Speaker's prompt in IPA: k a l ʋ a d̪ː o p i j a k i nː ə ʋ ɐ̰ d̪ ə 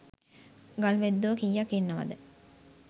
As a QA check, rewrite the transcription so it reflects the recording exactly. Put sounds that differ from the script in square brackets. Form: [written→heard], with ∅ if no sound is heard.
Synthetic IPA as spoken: [k→ɡ] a l ʋ [a→e] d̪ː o [p→k] i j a k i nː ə ʋ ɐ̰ d̪ ə